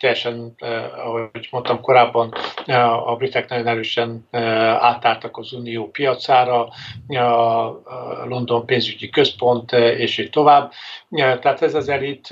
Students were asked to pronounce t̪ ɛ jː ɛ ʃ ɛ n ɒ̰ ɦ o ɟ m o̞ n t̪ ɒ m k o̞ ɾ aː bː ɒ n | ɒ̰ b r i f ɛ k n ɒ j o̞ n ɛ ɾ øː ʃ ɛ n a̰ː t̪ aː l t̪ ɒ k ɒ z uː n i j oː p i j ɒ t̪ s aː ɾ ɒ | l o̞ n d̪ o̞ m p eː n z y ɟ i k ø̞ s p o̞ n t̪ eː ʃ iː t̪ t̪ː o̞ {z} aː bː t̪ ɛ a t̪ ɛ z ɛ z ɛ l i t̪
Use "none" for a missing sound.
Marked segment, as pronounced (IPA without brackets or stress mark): v